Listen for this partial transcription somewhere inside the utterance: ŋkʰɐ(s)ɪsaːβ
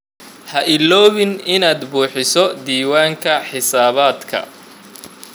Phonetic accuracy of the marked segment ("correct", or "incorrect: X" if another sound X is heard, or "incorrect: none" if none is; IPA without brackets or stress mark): incorrect: ħ